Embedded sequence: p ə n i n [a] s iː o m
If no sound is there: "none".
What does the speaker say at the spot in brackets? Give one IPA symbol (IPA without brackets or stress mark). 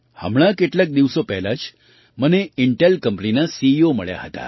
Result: a